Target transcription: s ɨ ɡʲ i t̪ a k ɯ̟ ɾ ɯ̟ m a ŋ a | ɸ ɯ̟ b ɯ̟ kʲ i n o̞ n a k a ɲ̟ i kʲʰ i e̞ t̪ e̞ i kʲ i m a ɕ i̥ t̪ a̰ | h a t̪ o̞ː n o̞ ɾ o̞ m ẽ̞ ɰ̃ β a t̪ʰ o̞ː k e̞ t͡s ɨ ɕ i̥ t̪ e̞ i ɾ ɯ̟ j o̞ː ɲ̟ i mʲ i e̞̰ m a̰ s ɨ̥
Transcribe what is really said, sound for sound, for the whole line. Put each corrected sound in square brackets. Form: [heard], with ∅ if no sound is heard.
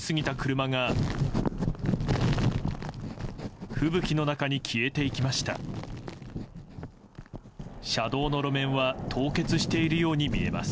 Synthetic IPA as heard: s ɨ ɡʲ i t̪ a k ɯ̟ ɾ ɯ̟ m a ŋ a | ɸ ɯ̟ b ɯ̟ kʲ i n o̞ n a k a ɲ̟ i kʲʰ i e̞ t̪ e̞ i kʲ i m a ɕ i̥ t̪ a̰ | [ɕ] a [d̪] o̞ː n o̞ ɾ o̞ m ẽ̞ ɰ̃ β a t̪ʰ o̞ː k e̞ t͡s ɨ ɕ i̥ t̪ e̞ i ɾ ɯ̟ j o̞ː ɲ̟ i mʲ i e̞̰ m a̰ s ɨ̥